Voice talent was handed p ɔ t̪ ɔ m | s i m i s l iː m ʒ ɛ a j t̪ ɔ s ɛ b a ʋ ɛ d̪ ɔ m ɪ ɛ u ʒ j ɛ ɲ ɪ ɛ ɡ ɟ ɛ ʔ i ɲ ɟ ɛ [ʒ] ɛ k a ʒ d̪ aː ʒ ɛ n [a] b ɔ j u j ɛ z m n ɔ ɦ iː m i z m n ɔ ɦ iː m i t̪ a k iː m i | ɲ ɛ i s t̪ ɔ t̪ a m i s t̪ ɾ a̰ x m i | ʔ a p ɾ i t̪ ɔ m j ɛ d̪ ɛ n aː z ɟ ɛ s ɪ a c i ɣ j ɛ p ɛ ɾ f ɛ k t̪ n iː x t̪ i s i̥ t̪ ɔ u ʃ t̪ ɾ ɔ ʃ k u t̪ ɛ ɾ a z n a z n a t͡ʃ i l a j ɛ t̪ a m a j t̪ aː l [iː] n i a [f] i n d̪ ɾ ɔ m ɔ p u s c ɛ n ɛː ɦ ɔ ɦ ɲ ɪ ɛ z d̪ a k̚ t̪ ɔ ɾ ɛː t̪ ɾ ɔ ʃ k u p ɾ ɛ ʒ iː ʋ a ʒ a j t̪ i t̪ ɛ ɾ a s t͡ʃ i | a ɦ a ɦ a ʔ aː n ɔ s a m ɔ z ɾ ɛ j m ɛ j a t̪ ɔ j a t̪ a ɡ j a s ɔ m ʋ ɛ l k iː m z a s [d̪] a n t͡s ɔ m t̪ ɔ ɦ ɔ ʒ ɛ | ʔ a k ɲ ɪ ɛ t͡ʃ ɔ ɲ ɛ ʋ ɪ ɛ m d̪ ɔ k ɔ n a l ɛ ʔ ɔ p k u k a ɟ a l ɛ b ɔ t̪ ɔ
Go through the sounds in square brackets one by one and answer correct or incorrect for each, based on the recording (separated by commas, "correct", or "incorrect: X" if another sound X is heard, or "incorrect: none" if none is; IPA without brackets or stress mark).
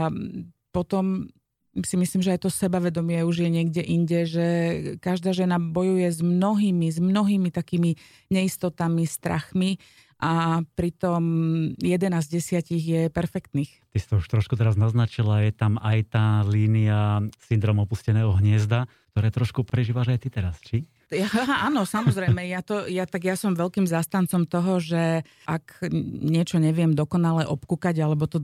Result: correct, correct, correct, incorrect: s, incorrect: t̪